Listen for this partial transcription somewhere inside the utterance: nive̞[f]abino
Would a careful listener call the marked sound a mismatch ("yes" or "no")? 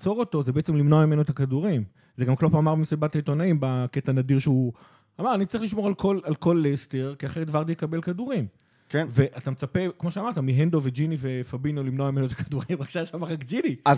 no